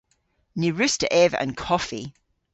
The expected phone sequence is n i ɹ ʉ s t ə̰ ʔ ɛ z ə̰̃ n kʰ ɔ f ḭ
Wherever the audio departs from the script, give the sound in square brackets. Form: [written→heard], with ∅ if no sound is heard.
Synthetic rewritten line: n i ɹ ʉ s t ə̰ ʔ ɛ [z→v] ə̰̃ n kʰ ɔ f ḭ